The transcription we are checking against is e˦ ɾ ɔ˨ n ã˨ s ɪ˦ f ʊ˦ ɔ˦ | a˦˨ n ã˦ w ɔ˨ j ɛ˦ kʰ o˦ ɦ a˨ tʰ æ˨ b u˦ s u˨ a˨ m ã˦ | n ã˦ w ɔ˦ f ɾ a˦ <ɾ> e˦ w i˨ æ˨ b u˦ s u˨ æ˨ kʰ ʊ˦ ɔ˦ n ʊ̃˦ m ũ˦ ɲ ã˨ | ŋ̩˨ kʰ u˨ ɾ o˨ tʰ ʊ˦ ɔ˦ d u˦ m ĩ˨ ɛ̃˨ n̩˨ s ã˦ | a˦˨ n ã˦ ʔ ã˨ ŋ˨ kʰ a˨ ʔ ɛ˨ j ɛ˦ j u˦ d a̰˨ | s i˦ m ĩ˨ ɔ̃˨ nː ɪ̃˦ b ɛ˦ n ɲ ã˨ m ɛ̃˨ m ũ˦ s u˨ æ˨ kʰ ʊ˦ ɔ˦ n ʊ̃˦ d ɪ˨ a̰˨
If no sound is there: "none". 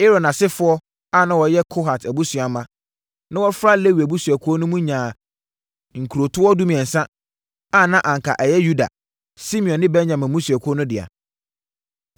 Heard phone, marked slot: l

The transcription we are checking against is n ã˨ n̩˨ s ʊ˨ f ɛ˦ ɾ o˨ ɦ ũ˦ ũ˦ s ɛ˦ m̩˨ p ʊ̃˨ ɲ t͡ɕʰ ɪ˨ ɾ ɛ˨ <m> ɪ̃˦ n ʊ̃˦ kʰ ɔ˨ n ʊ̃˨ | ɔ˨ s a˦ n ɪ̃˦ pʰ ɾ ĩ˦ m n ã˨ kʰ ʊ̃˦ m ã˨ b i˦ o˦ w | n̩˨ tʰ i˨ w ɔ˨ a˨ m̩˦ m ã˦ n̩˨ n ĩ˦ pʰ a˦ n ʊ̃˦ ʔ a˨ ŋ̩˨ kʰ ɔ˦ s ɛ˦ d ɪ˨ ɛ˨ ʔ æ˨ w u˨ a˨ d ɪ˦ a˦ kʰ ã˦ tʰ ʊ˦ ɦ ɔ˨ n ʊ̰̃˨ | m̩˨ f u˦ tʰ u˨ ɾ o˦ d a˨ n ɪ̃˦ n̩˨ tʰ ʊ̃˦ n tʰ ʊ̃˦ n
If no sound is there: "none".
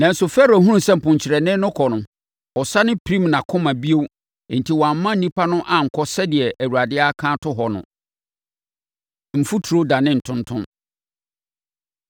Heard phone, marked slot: n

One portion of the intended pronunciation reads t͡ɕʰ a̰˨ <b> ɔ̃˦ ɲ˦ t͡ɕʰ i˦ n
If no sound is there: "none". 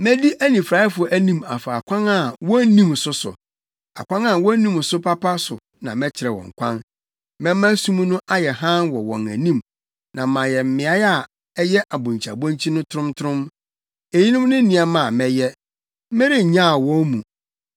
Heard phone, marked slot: b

